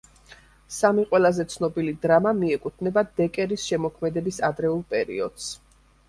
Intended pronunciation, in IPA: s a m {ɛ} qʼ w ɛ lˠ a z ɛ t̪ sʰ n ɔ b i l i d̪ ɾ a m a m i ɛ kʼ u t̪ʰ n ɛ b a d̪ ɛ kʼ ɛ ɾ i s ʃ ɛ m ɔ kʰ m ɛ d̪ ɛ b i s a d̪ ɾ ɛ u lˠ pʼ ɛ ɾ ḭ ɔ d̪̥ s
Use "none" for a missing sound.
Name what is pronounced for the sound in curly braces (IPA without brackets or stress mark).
i